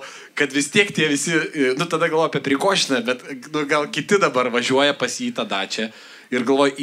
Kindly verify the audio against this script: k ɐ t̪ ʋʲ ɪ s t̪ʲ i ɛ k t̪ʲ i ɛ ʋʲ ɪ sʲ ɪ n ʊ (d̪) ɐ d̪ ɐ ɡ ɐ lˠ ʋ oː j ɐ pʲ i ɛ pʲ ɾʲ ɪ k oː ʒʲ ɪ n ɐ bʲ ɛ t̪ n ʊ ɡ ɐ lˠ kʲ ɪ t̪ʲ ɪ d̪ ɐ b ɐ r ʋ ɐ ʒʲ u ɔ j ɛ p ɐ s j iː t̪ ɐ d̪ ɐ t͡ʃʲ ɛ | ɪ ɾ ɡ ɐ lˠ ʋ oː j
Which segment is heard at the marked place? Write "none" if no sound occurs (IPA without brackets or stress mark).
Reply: t̪